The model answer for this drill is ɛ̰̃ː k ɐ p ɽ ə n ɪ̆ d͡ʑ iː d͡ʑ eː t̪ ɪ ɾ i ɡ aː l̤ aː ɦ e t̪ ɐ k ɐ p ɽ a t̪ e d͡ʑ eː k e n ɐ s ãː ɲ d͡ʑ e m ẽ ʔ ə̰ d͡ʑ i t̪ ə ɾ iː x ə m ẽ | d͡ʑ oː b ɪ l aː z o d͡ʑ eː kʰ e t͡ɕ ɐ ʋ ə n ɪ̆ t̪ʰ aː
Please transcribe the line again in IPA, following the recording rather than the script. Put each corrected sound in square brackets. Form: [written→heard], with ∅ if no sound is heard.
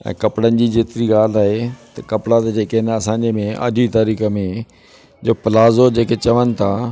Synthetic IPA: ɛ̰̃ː k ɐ p ɽ ə n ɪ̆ d͡ʑ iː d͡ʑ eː t̪ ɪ ɾ i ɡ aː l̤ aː ɦ e t̪ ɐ k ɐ p ɽ a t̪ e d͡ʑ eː k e n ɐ s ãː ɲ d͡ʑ e m ẽ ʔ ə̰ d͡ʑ i t̪ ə ɾ iː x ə m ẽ | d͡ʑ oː [b→p] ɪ l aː z o d͡ʑ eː [kʰ→k] e t͡ɕ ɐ ʋ ə n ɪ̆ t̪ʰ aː